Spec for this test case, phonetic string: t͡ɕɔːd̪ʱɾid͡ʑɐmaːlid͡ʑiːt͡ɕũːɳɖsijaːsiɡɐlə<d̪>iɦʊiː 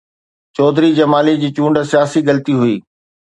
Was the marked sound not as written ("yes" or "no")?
yes